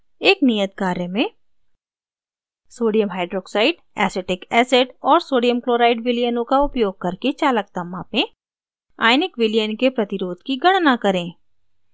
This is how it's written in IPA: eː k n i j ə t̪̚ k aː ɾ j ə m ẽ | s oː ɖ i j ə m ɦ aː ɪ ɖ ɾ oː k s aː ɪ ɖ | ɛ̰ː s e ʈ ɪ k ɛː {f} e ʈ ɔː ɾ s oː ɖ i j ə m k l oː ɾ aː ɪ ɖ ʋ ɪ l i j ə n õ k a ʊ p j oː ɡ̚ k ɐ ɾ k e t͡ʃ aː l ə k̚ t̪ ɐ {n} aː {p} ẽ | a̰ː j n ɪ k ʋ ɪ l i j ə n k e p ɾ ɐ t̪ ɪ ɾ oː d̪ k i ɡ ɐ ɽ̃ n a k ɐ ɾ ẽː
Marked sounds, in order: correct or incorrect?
incorrect: s, incorrect: m, correct

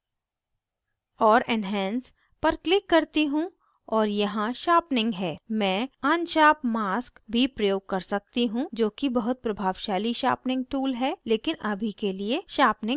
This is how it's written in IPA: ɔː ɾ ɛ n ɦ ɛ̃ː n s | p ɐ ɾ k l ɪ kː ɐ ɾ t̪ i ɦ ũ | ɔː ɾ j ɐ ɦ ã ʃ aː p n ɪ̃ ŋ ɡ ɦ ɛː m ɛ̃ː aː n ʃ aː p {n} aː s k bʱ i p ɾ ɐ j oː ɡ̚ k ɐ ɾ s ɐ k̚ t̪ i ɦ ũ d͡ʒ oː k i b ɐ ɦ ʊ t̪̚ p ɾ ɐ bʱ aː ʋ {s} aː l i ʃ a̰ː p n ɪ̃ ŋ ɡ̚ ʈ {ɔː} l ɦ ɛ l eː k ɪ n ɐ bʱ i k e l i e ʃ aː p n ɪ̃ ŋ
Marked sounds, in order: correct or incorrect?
incorrect: m, incorrect: ʃ, incorrect: uː

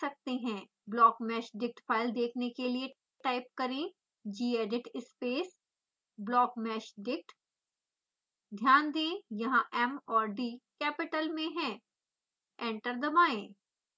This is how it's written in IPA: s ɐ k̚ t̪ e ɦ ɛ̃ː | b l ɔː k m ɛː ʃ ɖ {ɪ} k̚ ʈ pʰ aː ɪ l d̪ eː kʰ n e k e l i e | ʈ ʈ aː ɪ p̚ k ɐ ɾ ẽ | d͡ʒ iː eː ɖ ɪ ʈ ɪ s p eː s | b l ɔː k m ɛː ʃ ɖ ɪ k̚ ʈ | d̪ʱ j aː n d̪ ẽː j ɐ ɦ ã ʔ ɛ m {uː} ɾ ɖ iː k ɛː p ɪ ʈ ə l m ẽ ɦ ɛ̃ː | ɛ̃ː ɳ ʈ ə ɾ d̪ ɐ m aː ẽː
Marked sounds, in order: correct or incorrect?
correct, incorrect: ɔː

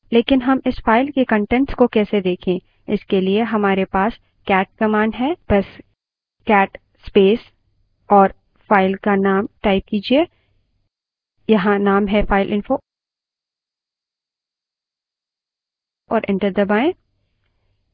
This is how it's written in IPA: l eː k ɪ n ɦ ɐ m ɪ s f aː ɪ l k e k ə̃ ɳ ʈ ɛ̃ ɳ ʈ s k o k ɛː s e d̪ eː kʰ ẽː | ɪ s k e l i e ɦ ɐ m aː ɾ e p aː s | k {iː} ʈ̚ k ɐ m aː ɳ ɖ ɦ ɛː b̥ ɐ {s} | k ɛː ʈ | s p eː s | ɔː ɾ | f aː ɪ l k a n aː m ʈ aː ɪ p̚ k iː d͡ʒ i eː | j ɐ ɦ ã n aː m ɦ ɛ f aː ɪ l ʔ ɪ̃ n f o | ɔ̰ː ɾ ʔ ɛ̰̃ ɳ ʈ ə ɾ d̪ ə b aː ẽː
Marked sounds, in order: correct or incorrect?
incorrect: ɛː, correct

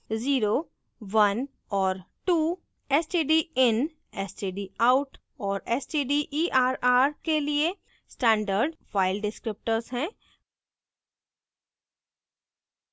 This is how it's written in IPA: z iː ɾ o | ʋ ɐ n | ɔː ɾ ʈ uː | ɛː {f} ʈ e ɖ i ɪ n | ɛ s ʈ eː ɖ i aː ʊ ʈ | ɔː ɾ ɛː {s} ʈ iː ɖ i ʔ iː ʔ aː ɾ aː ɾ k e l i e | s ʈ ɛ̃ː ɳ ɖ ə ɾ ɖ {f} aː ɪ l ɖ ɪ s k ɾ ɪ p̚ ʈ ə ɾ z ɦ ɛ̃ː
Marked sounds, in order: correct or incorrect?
incorrect: s, correct, correct

